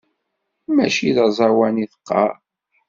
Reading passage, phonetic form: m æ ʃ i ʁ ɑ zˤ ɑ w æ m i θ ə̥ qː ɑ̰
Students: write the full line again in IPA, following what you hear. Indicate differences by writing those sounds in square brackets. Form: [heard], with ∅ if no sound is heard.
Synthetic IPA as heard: m æ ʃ i [ð] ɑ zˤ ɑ w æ [n] i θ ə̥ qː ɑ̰